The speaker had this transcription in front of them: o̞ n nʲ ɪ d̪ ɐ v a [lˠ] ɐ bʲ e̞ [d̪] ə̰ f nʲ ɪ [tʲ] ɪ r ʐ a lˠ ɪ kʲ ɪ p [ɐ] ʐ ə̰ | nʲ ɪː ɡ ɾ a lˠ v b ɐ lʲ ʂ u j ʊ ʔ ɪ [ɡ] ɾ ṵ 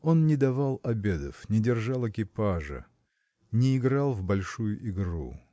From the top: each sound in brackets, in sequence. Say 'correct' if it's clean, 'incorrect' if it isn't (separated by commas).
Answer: correct, correct, incorrect, incorrect, correct